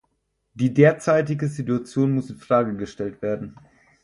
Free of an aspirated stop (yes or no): yes